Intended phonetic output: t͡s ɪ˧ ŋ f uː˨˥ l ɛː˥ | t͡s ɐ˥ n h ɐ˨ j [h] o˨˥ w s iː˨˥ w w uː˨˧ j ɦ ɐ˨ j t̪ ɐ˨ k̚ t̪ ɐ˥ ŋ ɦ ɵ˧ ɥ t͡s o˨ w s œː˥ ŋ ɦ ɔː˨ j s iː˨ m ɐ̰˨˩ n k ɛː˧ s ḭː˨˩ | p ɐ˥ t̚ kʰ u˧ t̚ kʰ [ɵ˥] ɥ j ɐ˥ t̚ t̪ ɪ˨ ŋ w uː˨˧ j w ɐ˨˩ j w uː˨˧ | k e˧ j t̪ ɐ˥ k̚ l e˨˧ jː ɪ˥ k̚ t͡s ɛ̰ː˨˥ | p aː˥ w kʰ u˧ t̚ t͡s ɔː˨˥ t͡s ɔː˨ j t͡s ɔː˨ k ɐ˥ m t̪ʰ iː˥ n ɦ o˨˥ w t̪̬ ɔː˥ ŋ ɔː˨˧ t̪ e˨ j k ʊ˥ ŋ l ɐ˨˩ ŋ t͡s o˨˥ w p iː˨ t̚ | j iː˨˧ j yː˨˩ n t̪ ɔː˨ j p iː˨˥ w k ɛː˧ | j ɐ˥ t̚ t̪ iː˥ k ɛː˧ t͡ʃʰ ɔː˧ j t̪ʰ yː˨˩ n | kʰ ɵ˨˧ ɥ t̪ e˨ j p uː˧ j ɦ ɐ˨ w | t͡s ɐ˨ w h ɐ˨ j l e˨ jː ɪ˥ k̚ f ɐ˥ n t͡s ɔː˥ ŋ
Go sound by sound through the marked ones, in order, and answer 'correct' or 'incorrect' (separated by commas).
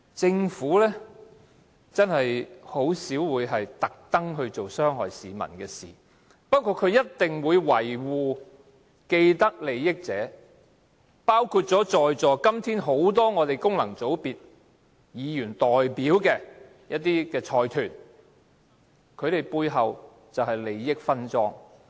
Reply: correct, incorrect